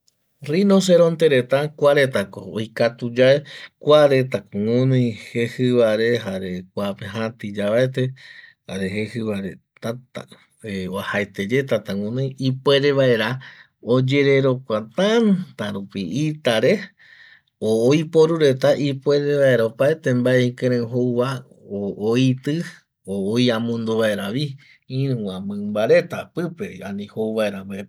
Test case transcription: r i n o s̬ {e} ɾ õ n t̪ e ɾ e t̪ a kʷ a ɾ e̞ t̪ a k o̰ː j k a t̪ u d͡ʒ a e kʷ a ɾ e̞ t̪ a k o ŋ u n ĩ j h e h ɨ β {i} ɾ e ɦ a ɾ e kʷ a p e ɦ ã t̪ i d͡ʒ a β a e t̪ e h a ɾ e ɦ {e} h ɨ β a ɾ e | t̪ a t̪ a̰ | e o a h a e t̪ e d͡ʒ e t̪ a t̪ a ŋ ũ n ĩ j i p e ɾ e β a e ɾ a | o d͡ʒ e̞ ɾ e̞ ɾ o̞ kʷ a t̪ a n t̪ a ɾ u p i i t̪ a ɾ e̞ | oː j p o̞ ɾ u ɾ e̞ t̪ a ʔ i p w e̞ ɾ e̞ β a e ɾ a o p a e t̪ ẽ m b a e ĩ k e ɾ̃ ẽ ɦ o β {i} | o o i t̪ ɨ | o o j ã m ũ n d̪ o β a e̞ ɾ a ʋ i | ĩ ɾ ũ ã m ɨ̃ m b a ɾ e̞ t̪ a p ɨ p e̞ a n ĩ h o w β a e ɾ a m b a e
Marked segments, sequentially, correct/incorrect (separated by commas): correct, incorrect, correct, incorrect